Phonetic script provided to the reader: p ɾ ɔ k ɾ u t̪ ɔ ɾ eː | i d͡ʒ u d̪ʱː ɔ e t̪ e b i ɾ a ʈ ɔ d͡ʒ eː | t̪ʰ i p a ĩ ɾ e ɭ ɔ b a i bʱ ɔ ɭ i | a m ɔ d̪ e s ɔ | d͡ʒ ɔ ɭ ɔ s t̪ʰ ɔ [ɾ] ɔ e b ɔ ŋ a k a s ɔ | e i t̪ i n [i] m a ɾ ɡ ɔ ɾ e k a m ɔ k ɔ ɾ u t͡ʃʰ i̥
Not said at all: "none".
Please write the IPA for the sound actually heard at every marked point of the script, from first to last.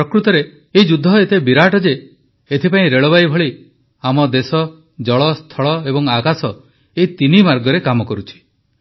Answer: ɭ, i

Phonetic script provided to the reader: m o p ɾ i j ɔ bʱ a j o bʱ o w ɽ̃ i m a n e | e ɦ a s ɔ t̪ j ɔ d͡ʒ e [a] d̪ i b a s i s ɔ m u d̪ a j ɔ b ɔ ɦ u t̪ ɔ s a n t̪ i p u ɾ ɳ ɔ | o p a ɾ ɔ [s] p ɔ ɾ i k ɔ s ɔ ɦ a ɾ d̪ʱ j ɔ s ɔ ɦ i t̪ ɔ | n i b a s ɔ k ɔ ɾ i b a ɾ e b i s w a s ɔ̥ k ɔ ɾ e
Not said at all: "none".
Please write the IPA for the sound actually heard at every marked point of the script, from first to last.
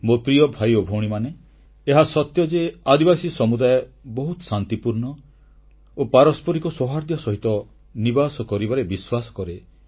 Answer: a, s

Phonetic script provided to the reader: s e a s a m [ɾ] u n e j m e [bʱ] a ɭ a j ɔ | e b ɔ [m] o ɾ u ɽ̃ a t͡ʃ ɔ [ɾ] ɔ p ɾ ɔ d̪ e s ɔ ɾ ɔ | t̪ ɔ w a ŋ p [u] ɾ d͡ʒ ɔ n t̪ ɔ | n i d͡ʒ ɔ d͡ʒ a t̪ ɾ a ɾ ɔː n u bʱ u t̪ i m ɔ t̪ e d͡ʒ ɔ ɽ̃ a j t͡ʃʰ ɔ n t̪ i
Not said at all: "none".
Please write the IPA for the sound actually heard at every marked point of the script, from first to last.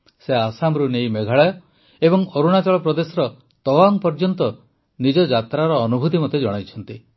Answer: ɾ, ɡʱ, ŋ, ɭ, ɔ

